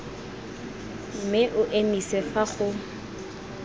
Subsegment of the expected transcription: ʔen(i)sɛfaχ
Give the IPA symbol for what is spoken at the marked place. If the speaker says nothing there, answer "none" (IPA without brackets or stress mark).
i